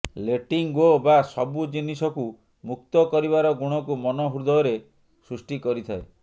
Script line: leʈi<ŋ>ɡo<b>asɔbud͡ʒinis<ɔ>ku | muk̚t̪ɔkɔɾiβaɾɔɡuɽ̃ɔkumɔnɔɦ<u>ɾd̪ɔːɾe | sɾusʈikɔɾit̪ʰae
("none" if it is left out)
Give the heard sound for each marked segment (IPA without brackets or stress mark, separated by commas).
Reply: ŋ, b, ɔ, u